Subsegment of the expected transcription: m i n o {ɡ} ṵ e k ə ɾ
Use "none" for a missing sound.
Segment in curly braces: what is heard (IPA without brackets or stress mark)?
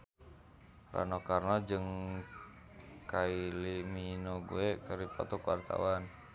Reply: ɡ